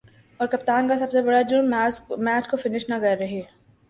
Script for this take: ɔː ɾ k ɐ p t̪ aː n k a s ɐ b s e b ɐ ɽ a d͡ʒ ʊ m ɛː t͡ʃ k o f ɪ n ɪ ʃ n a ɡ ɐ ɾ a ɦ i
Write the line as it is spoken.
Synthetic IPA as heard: ɔː ɾ k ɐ p t̪ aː n k a s ɐ b s e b ɐ ɽ a d͡ʒ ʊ m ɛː t͡ʃ k o f ɪ n ɪ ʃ n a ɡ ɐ ɾ ɐ ɦ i